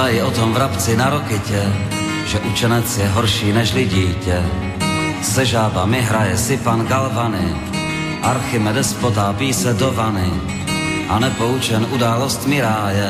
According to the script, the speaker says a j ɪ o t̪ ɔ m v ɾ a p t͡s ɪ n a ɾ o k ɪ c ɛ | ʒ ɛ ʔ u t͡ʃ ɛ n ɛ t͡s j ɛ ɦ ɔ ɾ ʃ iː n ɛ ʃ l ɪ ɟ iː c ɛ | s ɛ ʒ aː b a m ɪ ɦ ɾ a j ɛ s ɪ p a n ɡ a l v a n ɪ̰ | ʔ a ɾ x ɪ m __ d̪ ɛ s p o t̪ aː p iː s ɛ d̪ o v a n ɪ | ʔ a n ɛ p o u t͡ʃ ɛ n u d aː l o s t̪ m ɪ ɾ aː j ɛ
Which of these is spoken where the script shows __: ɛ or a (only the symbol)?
ɛ